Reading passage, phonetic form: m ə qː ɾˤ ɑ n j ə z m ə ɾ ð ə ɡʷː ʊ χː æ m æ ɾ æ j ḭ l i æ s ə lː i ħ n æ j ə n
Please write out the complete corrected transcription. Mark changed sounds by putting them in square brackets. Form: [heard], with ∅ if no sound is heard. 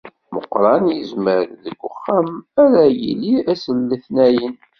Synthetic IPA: m ə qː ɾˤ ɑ n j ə z m ə ɾ ð ə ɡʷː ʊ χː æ m æ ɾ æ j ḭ l i æ s ə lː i [θ] n æ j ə n

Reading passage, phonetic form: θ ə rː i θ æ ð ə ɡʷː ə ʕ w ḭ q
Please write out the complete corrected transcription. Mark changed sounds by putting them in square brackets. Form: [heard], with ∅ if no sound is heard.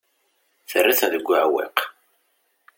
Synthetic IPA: θ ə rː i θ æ ð ə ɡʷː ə ʕ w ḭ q

